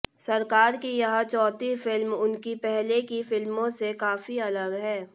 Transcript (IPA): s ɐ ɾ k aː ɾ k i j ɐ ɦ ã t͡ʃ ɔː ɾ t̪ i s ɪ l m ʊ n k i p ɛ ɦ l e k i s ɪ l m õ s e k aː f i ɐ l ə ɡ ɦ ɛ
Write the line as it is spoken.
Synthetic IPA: s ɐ ɾ k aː ɾ k i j ɐ ɦ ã t͡ʃ ɔː t̪ i f ɪ l m ʊ n k i p ɛ ɦ l e k i f ɪ l m õ s e k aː f i ɐ l ə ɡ ɦ ɛː

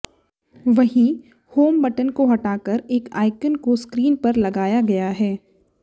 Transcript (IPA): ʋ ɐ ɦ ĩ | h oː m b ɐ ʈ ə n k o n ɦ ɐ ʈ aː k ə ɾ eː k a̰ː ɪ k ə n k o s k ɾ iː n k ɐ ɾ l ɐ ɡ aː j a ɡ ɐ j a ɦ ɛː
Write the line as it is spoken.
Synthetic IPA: ʋ ɐ ɦ ĩ | h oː m b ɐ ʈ ə n k o ɦ ɐ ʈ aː k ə ɾ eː k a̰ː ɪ k ə n k o s k ɾ iː n p ɐ ɾ l ɐ ɡ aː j a ɡ ɐ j a ɦ ɛː

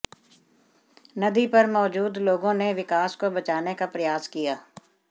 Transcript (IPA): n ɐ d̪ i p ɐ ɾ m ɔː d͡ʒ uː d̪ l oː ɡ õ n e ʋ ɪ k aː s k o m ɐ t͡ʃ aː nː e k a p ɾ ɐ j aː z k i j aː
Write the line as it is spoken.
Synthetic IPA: n ɐ d̪ i p ɐ ɾ m ɔː d͡ʒ uː d̪ l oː ɡ õ n e ʋ ɪ k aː s k o b ɐ t͡ʃ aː n e k a p ɾ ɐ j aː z k i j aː

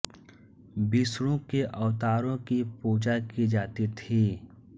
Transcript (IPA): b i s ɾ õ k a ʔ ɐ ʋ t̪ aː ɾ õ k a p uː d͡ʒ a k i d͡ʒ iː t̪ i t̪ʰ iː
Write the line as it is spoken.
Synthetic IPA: b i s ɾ õ k e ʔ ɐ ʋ t̪ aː ɾ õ k i p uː d͡ʒ a k i d͡ʒ aː t̪ i t̪ʰ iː

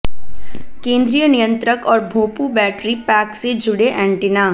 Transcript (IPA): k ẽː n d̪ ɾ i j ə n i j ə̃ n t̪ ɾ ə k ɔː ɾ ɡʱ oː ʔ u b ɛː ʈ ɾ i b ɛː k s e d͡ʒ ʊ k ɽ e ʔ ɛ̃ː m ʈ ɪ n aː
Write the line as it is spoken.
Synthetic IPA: k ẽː n d̪ ɾ i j ə n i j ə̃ n t̪ ɾ ə k ɔː ɾ bʱ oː p u b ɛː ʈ ɾ i p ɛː k s e d͡ʒ ʊ ɽ e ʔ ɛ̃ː ɳ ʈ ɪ n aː

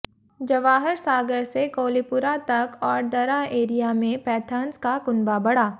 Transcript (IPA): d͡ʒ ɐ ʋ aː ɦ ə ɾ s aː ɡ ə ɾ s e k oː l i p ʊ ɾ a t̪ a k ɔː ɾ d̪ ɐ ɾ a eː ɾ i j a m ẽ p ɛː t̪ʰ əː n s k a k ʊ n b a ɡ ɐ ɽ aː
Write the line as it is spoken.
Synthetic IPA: d͡ʒ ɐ ʋ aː ɦ ə ɾ s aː ɡ ə ɾ s e k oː l i p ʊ ɾ a t̪ ɐ k ɔː ɾ d̪ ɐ ɾ a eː ɾ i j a m ẽ p ɛː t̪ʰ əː n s k a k ʊ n b a b ɐ ɽ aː

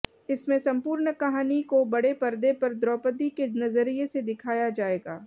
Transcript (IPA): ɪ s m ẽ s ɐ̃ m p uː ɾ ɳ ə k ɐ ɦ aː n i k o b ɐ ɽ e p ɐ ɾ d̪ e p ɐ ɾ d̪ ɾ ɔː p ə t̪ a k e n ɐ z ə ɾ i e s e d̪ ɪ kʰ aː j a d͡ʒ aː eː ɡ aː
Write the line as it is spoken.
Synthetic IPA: ɪ s m ẽ s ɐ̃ m p uː ɾ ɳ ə k ɐ ɦ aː n i k o b ɐ ɽ e p ɐ ɾ d̪ e p ɐ ɾ d̪ ɾ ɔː p ə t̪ i k e n ɐ z ə ɾ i e s e d̪ ɪ kʰ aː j a d͡ʒ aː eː ɡ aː

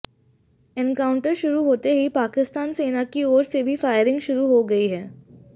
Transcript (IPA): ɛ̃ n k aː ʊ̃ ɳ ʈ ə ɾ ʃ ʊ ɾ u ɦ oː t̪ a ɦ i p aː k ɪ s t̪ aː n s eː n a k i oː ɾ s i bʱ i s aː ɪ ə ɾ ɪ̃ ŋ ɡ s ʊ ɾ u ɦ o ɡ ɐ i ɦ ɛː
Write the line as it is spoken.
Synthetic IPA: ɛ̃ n k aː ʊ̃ ɳ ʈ ə ɾ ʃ ʊ ɾ u ɦ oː t̪ e ɦ i p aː k ɪ s t̪ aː n s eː n a k i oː ɾ s e bʱ i f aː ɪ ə ɾ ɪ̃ ŋ ɡ ʃ ʊ ɾ u ɦ o ɡ ɐ i ɦ ɛː

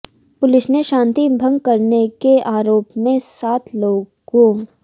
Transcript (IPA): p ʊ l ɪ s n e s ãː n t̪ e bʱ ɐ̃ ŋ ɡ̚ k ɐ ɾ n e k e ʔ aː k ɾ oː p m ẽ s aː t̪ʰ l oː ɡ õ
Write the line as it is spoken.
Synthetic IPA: p ʊ l ɪ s n e ʃ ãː n t̪ i bʱ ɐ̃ ŋ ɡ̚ k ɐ ɾ n e k e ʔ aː ɾ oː p m ẽ s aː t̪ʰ l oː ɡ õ

